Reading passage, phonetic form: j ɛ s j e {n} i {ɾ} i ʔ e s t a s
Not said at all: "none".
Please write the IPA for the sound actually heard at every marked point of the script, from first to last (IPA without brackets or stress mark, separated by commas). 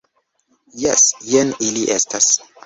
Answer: n, l